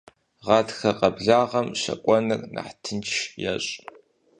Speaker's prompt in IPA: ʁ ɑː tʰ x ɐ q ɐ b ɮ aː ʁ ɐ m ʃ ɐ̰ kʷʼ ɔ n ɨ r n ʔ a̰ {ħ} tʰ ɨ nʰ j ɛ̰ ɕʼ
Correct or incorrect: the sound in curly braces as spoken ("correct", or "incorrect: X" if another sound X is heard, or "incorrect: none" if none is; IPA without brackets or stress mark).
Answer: correct